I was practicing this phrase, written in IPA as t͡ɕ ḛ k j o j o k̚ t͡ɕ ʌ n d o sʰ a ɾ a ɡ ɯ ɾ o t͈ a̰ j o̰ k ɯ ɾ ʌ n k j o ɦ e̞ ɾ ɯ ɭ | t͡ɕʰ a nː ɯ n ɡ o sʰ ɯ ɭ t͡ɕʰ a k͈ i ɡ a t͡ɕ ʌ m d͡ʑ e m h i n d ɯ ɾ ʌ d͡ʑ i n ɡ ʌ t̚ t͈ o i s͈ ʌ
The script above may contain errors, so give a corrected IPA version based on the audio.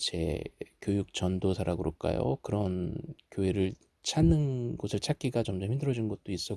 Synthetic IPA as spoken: t͡ɕ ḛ k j o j u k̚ t͡ɕ ʌ n d o sʰ a ɾ a ɡ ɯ ɾ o k͈ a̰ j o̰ k ɯ ɾ ʌ n k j o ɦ e̞ ɾ ɯ ɭ | t͡ɕʰ a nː ɯ n ɡ o sʰ ɯ ɭ t͡ɕʰ a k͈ i ɡ a t͡ɕ ʌ m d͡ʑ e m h i n d ɯ ɾ ʌ d͡ʑ i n ɡ ʌ t̚ t͈ o i s͈ ʌ

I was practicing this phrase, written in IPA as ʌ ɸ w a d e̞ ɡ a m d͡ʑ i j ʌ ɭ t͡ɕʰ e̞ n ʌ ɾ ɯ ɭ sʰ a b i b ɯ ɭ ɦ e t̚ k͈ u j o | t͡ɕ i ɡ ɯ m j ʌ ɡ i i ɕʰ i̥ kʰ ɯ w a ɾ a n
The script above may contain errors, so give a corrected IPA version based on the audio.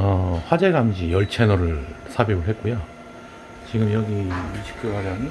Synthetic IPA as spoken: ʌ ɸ w a d͡ʑ e̞ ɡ a m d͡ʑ i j ʌ ɭ t͡ɕʰ e̞ n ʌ ɾ ɯ ɭ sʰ a b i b ɯ ɭ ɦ e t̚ k͈ u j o | t͡ɕ i ɡ ɯ m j ʌ ɡ i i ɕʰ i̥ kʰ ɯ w a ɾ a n

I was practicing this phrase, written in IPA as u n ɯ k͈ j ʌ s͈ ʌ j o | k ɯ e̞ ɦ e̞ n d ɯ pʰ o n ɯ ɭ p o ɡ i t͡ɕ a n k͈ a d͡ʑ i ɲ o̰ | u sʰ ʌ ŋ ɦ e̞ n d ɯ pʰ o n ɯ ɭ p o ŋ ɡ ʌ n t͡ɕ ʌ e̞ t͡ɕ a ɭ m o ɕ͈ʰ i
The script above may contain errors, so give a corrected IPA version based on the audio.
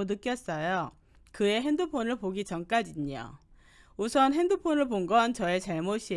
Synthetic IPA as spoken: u n ɯ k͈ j ʌ s͈ ʌ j o | k ɯ e̞ ɦ e̞ n d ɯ pʰ o n ɯ ɭ p o ɡ i t͡ɕ ʌ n k͈ a d͡ʑ i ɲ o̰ | u sʰ ʌ n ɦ e̞ n d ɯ pʰ o n ɯ ɭ p o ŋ ɡ ʌ n t͡ɕ ʌ e̞ t͡ɕ a ɭ m o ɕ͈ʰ i

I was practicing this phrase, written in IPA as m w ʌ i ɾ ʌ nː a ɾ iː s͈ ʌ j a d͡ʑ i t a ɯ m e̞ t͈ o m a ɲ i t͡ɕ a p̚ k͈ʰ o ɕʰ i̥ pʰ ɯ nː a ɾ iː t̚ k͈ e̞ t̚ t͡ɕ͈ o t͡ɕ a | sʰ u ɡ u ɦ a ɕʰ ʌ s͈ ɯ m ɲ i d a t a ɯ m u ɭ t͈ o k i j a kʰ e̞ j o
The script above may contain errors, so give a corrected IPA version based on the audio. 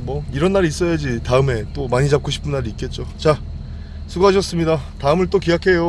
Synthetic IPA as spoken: m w ʌ i ɾ ʌ nː a ɾ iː s͈ ʌ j a d͡ʑ i t a ɯ m e̞ t͈ o m a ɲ i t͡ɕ a p̚ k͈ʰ o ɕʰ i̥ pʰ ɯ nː a ɾ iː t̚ k͈ e̞ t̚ t͡ɕ͈ o t͡ɕ a | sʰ u ɡ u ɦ a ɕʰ ʌ s͈ ɯ m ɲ i d a t a ɯ m ɯ ɭ t͈ o k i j a kʰ e̞ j o

